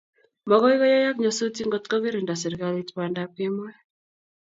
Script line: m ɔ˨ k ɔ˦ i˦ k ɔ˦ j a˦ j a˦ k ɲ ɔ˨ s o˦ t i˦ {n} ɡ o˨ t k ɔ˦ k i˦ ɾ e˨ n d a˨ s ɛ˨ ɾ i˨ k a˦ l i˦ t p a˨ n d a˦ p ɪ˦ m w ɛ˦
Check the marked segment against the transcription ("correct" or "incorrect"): incorrect